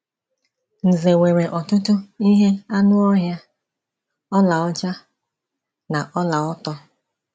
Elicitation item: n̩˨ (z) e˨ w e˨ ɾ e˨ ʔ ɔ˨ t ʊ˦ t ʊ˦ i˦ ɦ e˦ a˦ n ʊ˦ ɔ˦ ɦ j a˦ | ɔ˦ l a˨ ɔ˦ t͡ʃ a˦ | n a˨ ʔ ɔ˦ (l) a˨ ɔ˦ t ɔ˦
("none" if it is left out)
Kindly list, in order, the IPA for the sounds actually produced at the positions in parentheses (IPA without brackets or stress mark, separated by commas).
z, l